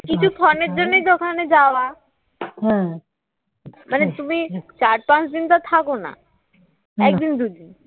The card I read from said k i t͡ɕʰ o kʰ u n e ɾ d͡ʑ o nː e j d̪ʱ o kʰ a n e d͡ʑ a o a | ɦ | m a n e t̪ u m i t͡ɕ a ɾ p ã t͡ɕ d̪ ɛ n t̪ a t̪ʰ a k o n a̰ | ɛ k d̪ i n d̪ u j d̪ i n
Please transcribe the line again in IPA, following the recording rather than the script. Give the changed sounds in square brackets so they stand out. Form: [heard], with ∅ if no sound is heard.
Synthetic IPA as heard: k i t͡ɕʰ [u] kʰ [ɔ] n e ɾ d͡ʑ o nː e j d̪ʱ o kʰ a n e d͡ʑ a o a | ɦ | m a n e t̪ u m i t͡ɕ a ɾ p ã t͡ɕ d̪ [i] n t̪ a t̪ʰ a k o n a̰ | ɛ k d̪ i n d̪ u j d̪ i n